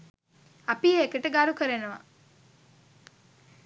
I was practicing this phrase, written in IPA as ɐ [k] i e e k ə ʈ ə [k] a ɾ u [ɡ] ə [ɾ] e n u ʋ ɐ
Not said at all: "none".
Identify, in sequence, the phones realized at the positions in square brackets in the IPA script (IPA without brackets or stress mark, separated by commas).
p, ɡ, k, ɾ